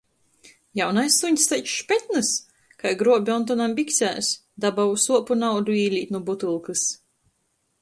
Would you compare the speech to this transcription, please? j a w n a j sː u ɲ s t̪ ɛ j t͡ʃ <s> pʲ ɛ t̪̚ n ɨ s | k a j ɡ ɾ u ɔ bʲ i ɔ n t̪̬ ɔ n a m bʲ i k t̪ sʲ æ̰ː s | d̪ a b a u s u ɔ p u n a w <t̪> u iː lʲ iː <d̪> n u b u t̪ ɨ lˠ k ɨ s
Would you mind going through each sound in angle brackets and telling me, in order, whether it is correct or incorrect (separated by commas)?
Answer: incorrect, incorrect, incorrect